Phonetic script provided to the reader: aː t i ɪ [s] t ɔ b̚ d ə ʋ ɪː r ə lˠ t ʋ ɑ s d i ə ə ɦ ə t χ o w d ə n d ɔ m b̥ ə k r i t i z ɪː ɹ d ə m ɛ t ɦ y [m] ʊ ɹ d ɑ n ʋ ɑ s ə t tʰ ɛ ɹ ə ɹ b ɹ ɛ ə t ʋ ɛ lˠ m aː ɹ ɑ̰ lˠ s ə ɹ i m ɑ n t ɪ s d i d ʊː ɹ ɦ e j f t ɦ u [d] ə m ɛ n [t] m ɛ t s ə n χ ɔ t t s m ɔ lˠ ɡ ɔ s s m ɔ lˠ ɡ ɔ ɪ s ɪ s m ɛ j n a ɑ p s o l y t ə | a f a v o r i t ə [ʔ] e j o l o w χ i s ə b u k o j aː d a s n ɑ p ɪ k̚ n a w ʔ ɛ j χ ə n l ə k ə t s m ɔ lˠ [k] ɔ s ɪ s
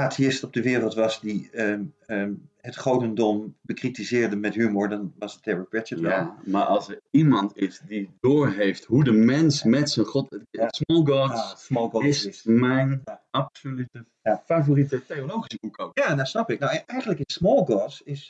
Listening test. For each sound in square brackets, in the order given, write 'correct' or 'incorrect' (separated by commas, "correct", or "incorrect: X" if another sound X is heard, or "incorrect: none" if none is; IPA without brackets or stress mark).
correct, correct, correct, incorrect: s, incorrect: t, incorrect: ɡ